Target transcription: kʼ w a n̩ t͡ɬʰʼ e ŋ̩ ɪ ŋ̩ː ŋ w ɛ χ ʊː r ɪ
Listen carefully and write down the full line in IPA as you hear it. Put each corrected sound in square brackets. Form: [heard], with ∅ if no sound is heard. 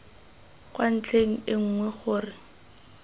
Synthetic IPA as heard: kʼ w a n̩ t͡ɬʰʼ e ŋ̩ ɪ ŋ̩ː ŋ w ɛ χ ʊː r ɪ